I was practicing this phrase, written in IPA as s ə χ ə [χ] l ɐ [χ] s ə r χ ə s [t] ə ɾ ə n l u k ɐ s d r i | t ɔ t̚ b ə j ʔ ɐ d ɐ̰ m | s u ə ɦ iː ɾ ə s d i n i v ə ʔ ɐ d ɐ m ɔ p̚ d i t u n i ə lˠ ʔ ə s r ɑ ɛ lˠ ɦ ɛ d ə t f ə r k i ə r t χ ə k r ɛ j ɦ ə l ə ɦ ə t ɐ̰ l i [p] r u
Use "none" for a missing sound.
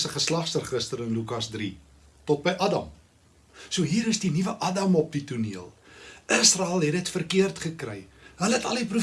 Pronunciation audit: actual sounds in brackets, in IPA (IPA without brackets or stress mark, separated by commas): s, χ, t, p